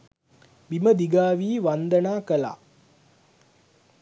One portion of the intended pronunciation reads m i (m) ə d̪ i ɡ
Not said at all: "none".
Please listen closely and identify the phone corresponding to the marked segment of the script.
m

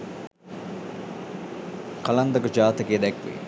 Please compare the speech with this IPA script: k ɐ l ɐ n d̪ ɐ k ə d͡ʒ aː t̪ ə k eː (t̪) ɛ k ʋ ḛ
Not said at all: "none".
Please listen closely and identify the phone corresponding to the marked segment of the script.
d̪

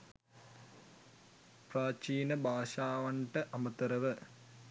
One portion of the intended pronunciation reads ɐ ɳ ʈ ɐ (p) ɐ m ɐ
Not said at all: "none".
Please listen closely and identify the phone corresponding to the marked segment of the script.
ʔ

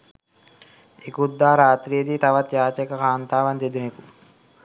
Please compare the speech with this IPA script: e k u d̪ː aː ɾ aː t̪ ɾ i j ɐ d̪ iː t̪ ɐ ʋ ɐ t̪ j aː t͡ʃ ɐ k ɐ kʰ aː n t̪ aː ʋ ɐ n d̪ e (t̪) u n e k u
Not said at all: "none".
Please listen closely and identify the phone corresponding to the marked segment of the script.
d̪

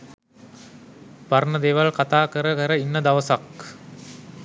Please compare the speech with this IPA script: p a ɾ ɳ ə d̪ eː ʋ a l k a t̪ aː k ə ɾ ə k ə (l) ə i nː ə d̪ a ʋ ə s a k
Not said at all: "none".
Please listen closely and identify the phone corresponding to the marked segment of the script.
ɾ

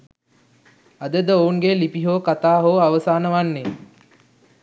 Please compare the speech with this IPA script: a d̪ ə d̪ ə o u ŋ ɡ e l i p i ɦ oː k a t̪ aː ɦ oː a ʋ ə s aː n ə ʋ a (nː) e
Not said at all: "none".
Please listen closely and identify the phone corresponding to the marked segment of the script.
nː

